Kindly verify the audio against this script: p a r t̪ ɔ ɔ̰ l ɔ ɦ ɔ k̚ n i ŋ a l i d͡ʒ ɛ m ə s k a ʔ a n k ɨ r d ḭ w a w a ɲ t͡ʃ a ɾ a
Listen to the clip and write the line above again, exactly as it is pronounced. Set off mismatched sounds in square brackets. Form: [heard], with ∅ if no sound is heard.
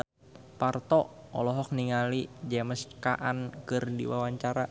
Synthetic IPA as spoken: p a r t̪ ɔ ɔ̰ l ɔ ɦ ɔ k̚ n i ŋ a l i d͡ʒ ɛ m ə s k a ʔ a n k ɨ r d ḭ w a w a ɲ t͡ʃ a ɾ a